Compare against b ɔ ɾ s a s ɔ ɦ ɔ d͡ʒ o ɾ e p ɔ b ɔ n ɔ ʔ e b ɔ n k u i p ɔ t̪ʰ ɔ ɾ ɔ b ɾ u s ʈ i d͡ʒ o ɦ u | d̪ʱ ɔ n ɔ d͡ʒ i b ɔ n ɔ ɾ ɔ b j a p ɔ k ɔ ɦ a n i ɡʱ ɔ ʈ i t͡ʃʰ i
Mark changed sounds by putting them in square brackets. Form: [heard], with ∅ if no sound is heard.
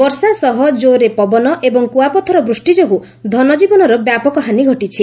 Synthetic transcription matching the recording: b ɔ ɾ s a s ɔ ɦ ɔ d͡ʒ o ɾ e p ɔ b ɔ n ɔ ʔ e b ɔ [ŋ] k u [a] p ɔ t̪ʰ ɔ ɾ ɔ b ɾ u s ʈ i d͡ʒ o ɦ u | d̪ʱ ɔ n ɔ d͡ʒ i b ɔ n ɔ ɾ ɔ b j a p ɔ k ɔ ɦ a n i ɡʱ ɔ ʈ i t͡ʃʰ i